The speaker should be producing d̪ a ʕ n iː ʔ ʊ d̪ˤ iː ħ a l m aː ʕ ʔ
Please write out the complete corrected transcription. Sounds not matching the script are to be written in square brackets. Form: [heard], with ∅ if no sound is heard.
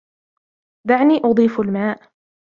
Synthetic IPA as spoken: d̪ a ʕ n iː ʔ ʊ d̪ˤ iː [f] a l m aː [∅] ʔ